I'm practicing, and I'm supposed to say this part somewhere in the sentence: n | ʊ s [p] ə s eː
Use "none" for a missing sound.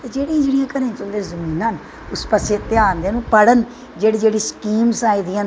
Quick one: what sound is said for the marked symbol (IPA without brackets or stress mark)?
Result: p